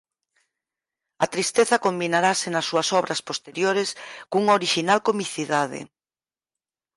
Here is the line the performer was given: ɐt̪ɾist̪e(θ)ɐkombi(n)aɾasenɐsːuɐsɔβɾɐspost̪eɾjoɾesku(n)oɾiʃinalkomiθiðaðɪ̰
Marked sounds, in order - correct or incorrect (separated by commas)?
correct, correct, incorrect